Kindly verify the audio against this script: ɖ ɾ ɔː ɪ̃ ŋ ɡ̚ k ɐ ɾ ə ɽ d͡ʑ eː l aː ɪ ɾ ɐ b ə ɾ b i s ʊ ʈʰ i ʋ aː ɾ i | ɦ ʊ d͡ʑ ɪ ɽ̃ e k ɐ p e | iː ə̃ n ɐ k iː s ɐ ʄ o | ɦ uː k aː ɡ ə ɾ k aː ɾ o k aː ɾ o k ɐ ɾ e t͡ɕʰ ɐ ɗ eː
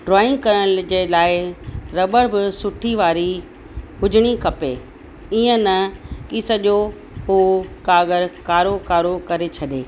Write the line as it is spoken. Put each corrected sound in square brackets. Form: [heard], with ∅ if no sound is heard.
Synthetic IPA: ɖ ɾ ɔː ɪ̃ ŋ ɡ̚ k ɐ ɾ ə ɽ d͡ʑ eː l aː ɪ ɾ ɐ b ə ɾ b [ɪ] s ʊ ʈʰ i ʋ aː ɾ i | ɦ ʊ d͡ʑ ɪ ɽ̃ [i] k ɐ p e | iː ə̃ n ɐ k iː s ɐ ʄ o | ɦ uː k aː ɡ ə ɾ k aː ɾ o k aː ɾ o k ɐ ɾ e t͡ɕʰ ɐ ɗ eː

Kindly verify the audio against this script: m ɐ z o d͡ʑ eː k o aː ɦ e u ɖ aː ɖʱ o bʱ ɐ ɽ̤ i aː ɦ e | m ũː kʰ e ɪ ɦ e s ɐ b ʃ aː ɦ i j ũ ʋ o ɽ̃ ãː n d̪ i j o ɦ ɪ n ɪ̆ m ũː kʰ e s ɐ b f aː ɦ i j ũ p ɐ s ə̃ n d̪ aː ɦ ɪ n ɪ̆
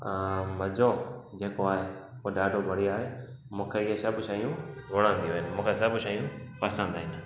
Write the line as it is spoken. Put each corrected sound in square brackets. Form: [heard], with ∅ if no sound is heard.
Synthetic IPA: m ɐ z o d͡ʑ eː k o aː ɦ e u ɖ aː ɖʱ o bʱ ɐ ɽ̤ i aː ɦ e | m ũː kʰ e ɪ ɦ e s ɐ b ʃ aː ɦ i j ũ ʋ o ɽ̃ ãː n d̪ i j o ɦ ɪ n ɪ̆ m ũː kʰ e s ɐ b [ʃ] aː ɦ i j ũ p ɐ s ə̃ n d̪ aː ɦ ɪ n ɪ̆

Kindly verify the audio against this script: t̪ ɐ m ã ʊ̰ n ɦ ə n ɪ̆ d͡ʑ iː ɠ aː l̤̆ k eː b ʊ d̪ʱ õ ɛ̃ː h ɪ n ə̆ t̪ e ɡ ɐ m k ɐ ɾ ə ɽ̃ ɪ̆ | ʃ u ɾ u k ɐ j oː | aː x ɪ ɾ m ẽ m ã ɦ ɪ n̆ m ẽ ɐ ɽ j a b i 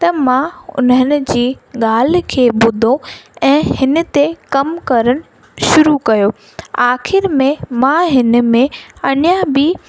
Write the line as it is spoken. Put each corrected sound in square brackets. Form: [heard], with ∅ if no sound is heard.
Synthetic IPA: t̪ ɐ m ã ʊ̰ n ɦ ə n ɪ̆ d͡ʑ iː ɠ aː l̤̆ [kʰ] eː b ʊ d̪ʱ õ ɛ̃ː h ɪ n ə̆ t̪ e [k] ɐ m k ɐ ɾ ə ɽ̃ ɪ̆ | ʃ [ʊ] ɾ u k ɐ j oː | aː x ɪ ɾ m ẽ m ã ɦ ɪ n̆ m ẽ ɐ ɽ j a b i

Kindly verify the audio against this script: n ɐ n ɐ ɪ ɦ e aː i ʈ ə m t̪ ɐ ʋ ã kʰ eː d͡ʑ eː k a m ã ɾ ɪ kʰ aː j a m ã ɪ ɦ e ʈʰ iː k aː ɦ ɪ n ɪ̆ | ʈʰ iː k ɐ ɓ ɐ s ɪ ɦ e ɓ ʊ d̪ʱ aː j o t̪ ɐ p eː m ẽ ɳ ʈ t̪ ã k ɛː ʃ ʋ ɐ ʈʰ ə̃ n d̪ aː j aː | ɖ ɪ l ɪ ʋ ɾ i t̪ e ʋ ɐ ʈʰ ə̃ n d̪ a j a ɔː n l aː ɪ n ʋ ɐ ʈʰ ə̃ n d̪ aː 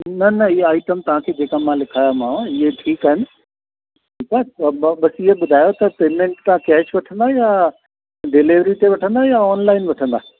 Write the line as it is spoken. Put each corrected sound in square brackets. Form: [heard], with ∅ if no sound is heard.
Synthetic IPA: n ɐ n ɐ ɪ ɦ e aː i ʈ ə m t̪ ɐ ʋ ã kʰ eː d͡ʑ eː k a m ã [l] ɪ kʰ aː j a m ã ɪ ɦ e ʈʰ iː k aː ɦ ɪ n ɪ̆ | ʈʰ iː k [a] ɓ ɐ s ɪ ɦ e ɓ ʊ d̪ʱ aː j o t̪ ɐ p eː m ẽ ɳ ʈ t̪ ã k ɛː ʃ ʋ ɐ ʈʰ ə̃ n d̪ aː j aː | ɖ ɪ l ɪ ʋ ɾ i t̪ e ʋ ɐ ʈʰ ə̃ n d̪ a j a ɔː n l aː ɪ n ʋ ɐ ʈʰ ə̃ n d̪ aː

